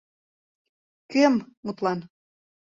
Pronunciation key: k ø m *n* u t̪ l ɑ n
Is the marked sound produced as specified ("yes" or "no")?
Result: no